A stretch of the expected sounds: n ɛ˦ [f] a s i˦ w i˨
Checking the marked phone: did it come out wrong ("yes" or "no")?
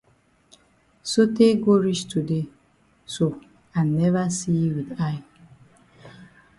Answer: yes